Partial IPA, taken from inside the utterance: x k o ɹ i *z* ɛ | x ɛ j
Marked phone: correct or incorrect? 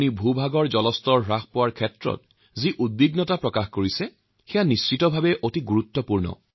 incorrect